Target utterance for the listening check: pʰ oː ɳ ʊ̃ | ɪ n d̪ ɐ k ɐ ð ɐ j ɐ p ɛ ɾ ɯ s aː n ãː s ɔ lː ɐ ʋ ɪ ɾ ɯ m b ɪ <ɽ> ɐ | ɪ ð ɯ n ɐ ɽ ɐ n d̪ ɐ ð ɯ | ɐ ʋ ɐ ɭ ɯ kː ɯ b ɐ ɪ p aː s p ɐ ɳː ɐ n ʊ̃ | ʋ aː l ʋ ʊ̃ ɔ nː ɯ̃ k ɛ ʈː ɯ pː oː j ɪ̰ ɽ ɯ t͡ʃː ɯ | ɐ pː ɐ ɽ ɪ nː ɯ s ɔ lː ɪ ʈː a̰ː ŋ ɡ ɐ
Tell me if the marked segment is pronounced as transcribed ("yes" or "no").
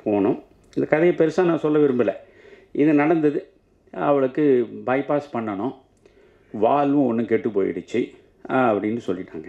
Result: no